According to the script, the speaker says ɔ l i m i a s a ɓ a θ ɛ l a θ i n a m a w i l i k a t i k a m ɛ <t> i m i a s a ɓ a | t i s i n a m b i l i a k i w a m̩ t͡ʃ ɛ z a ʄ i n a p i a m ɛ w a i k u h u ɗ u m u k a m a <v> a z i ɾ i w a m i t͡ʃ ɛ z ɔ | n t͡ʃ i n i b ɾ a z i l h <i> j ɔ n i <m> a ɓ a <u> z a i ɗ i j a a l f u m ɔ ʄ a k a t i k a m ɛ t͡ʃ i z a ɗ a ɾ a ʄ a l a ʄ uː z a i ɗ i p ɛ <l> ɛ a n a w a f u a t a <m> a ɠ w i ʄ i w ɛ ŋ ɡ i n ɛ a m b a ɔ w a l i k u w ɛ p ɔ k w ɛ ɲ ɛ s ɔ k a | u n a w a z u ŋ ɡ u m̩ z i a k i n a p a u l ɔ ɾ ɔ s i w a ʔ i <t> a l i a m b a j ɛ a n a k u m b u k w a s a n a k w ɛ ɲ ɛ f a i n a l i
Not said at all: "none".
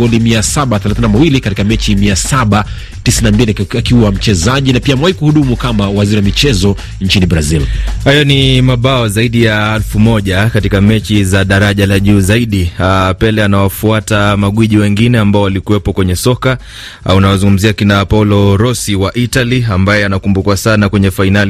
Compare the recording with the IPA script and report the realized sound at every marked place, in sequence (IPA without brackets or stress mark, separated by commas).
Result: t͡ʃ, w, a, m, ɔ, l, m, t